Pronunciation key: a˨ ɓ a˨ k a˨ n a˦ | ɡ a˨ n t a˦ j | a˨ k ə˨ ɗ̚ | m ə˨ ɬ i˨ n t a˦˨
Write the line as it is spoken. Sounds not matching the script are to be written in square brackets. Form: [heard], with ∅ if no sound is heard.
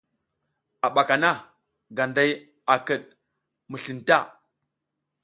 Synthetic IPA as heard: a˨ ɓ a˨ k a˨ n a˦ | ɡ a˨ n [d] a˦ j | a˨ k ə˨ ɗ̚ | m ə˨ ɬ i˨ n t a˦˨